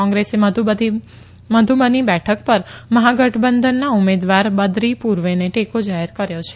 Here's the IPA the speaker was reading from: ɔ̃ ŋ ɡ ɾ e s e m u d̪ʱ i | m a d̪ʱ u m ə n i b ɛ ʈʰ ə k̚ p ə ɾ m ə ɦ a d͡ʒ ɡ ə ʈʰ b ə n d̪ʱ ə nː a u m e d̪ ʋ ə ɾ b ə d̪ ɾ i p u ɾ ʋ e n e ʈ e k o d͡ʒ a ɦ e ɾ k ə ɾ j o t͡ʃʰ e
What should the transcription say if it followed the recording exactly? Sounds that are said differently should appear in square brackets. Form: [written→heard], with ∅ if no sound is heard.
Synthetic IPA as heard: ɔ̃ ŋ ɡ ɾ e s e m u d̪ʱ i | m [a→ə] d̪ʱ u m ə n i b ɛ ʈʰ ə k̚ p ə ɾ m ə ɦ a [d͡ʒ→∅] ɡ ə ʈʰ b ə n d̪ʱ ə nː a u m e d̪ ʋ [ə→a] ɾ b ə d̪ ɾ i p u ɾ ʋ e n e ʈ e k o d͡ʒ a ɦ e ɾ k ə ɾ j o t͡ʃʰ e

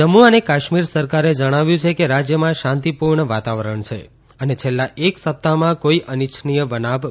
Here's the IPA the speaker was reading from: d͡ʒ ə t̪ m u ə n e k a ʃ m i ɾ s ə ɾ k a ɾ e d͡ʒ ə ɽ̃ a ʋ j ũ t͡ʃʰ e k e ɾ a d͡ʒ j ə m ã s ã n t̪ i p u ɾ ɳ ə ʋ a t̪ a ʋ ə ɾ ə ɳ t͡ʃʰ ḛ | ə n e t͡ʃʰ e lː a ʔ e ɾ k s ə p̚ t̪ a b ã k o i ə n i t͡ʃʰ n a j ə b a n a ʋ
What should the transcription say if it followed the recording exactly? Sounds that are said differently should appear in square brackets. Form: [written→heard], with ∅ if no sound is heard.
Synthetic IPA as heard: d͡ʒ ə [t̪→∅] m u ə n e k a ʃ m i ɾ s ə ɾ k a ɾ e d͡ʒ ə ɽ̃ a ʋ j ũ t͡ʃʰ e k e ɾ a d͡ʒ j ə m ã [s→ʃ] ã n t̪ i p u ɾ ɳ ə ʋ a t̪ a ʋ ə ɾ ə ɳ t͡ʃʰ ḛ | ə n e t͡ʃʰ e lː a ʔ e [ɾ→∅] k s ə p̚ t̪ a [b→m] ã k o i ə n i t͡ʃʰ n [a→i] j ə b [a→ə] n a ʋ

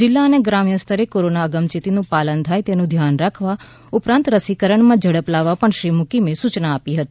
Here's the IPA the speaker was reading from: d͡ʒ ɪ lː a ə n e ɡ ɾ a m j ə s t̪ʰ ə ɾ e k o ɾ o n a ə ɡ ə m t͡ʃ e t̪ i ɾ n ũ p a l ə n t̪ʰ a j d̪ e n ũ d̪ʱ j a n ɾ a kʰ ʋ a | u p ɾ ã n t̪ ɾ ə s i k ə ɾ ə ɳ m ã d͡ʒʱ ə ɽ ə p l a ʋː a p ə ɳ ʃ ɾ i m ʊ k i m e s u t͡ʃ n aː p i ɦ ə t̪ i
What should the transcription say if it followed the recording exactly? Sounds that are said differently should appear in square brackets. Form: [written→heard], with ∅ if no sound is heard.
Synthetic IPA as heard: d͡ʒ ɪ lː a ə n e ɡ ɾ a m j ə s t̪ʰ ə ɾ e k o ɾ o n a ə ɡ ə m t͡ʃ [e→i] t̪ i [ɾ→∅] n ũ p a l ə n t̪ʰ a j [d̪→t̪] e n ũ d̪ʱ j a n ɾ a kʰ ʋ a | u p ɾ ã n t̪ ɾ ə s i k ə ɾ ə ɳ m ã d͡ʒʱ ə ɽ ə p l a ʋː a p ə ɳ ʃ ɾ i m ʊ k i m e s u t͡ʃ n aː p i ɦ ə t̪ i

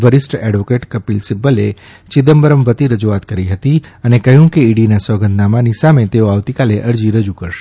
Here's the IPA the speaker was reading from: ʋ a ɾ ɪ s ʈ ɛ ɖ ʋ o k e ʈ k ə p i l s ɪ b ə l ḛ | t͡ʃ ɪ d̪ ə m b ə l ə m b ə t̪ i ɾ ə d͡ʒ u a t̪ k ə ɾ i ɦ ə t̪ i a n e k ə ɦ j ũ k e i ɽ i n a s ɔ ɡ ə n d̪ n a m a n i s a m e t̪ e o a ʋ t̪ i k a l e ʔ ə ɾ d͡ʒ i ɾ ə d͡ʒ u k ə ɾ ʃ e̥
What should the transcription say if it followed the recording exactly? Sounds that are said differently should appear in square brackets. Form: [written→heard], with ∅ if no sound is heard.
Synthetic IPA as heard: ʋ [a→ə] ɾ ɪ s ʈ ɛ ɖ ʋ o k e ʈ k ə p i l s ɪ b ə l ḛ | t͡ʃ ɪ d̪ ə m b ə [l→ɾ] ə m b ə t̪ i ɾ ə d͡ʒ u a t̪ k ə ɾ i ɦ ə t̪ i [a→ə] n e k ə ɦ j ũ k e i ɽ i n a s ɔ ɡ ə n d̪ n a m a n i s a m e t̪ e o a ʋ t̪ i k a l e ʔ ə ɾ d͡ʒ i ɾ ə d͡ʒ u k ə ɾ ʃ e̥

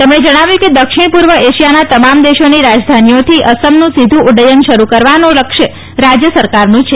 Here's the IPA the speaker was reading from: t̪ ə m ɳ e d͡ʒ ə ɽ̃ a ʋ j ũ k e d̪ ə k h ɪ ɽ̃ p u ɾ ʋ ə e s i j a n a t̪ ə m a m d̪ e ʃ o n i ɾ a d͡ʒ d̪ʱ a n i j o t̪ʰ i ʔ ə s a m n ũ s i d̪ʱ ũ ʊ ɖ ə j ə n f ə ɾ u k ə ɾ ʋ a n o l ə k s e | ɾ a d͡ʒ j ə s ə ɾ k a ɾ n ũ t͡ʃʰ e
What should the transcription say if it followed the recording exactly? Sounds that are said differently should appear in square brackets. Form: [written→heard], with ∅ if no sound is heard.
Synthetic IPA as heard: t̪ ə m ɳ e d͡ʒ ə ɽ̃ a ʋ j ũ k e d̪ ə k [h→ʃ] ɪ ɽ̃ p u ɾ ʋ ə e [s→ʃ] i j a n a t̪ ə m a m d̪ e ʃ o n i ɾ a d͡ʒ d̪ʱ a n i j o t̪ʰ i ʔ ə s [a→ə] m n ũ s i d̪ʱ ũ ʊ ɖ ə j ə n [f→ʃ] ə ɾ u k ə ɾ ʋ a n o l ə k [s→ʃ] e | ɾ a d͡ʒ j ə s ə ɾ k a ɾ n ũ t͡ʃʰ e

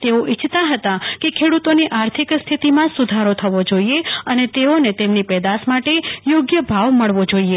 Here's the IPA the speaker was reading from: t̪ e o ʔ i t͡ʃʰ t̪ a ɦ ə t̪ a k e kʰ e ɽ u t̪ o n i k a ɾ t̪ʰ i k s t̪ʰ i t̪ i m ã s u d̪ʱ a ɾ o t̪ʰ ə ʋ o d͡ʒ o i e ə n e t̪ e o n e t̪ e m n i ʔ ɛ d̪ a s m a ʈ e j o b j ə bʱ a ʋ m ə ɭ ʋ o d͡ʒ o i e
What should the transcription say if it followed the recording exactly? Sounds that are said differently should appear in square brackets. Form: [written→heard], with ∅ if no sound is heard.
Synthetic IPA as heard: t̪ e o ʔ i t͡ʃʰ t̪ a ɦ ə t̪ a k e kʰ e ɽ u t̪ o n i [k→ʔ] a ɾ t̪ʰ i k s t̪ʰ i t̪ i m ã s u d̪ʱ a ɾ o t̪ʰ ə ʋ o d͡ʒ o i e ə n e t̪ e o n e t̪ e m n i [ʔ→p] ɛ d̪ a s m a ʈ e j o [b→ɡ] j ə bʱ a ʋ m ə ɭ ʋ o d͡ʒ o i e

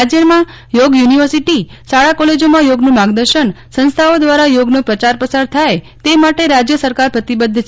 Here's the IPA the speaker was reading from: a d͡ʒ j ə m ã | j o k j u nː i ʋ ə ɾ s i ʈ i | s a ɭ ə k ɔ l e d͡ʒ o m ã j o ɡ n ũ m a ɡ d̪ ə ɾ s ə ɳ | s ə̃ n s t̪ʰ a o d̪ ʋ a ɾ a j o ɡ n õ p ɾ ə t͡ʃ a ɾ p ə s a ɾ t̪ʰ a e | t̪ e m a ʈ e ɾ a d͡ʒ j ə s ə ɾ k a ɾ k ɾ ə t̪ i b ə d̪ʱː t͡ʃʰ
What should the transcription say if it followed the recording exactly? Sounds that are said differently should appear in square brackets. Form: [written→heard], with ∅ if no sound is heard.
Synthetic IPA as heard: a d͡ʒ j ə m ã | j o [k→ɡ] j u [nː→n] i ʋ ə ɾ s i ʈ i | s a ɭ [ə→a] k ɔ l e d͡ʒ o m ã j o ɡ n ũ m a ɡ d̪ ə ɾ [s→ʃ] ə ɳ | s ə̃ n s t̪ʰ a o d̪ ʋ a ɾ a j o ɡ n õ p ɾ ə t͡ʃ a ɾ p ə s a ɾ t̪ʰ a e | t̪ e m a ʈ e ɾ a d͡ʒ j ə s ə ɾ k a ɾ [k→p] ɾ ə t̪ i b ə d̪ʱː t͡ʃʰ

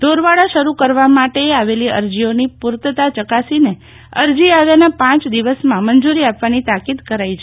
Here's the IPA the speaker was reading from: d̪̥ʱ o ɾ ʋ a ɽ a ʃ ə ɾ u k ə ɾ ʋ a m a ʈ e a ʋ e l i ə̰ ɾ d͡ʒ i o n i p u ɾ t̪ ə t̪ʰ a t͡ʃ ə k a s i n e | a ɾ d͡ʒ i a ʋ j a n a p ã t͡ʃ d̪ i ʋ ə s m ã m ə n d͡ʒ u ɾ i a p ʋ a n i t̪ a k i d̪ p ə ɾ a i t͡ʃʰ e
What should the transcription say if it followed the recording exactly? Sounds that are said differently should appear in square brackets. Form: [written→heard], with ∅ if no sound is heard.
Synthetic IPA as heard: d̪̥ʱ o ɾ ʋ a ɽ a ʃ ə ɾ u k ə ɾ ʋ a m a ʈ e a ʋ e l i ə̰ ɾ d͡ʒ i o n i p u ɾ t̪ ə [t̪ʰ→t̪] a t͡ʃ ə k a s i n e | [a→ə] ɾ d͡ʒ i a ʋ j a n a p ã t͡ʃ d̪ i ʋ ə s m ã m ə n d͡ʒ u ɾ i a p ʋ a n i t̪ a k i d̪ [p→k] ə ɾ a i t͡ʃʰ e

